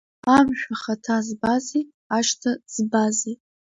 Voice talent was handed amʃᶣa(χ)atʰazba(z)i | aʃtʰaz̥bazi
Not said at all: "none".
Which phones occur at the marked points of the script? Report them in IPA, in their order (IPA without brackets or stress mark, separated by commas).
χ, z